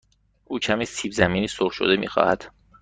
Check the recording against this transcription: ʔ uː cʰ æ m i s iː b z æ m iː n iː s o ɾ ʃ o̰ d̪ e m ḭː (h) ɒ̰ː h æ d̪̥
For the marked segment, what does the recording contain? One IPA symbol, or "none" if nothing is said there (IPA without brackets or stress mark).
x